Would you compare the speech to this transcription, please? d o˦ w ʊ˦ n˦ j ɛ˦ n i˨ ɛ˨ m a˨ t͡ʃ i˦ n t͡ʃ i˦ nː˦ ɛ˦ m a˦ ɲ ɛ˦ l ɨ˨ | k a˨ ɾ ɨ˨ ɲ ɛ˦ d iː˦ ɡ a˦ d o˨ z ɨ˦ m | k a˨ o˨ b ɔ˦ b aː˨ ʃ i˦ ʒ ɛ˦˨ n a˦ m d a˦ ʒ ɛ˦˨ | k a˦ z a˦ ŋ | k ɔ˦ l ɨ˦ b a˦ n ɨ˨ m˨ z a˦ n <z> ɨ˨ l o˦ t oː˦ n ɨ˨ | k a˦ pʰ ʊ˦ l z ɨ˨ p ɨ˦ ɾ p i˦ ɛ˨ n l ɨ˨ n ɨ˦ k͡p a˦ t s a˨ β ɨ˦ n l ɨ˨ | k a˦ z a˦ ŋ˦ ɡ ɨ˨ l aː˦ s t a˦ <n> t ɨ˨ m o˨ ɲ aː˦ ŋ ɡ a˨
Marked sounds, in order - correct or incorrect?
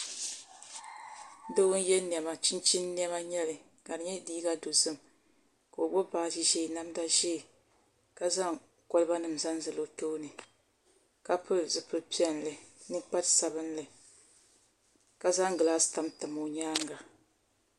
correct, incorrect: m

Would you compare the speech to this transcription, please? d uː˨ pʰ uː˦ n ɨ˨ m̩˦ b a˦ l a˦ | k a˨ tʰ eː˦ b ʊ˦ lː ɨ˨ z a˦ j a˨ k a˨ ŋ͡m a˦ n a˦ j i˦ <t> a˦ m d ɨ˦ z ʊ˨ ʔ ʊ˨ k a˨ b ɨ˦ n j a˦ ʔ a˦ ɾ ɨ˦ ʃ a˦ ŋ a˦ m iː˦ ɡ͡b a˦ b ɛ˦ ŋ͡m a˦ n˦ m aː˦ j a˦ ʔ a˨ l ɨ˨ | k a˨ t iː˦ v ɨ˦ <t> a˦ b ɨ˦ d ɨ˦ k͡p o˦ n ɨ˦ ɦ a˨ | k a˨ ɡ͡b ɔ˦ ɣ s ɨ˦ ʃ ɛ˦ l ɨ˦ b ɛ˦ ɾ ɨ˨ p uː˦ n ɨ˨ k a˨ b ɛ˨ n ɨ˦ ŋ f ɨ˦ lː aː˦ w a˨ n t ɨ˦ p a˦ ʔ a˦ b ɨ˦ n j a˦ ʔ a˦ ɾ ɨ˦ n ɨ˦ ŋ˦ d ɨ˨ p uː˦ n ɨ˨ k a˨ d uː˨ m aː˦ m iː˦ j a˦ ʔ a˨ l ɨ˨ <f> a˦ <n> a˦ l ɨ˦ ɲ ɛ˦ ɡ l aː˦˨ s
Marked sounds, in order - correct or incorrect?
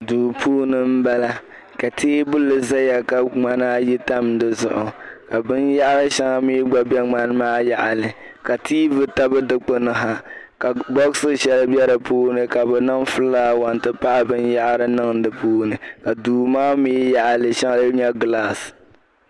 correct, correct, incorrect: ʃ, incorrect: ŋ

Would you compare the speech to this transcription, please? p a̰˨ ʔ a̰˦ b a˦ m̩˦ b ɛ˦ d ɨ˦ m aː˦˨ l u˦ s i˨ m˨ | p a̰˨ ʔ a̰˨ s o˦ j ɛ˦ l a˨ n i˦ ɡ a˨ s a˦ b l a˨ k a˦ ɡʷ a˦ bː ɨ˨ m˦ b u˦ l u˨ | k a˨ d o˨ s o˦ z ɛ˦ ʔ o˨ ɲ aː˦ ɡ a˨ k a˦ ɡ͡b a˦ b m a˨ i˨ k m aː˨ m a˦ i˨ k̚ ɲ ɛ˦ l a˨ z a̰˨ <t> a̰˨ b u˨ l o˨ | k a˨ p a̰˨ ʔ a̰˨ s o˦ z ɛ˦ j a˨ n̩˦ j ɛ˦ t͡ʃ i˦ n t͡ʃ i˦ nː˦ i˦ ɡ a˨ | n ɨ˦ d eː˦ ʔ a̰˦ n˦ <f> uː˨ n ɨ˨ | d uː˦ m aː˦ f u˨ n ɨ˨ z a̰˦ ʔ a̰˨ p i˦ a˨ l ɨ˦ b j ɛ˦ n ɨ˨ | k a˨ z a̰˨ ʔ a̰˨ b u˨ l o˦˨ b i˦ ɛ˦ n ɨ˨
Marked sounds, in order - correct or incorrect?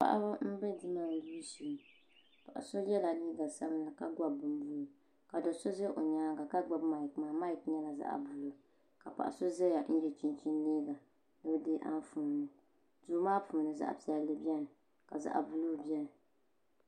incorrect: ʔ, correct

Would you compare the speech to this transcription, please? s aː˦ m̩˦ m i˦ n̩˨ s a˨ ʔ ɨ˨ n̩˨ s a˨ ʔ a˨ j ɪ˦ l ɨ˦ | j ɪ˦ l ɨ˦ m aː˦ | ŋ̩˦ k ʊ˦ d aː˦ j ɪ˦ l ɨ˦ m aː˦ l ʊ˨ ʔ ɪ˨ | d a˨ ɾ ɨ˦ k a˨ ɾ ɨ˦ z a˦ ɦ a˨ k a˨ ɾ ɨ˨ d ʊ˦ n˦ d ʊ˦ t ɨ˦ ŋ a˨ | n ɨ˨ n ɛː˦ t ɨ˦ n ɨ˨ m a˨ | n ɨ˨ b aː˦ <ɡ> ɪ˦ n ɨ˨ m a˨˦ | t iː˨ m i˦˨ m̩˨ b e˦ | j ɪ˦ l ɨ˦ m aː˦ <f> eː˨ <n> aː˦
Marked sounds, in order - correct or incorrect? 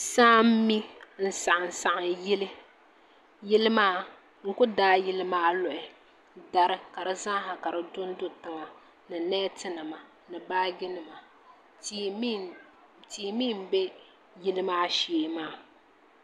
correct, incorrect: ʃ, incorrect: m

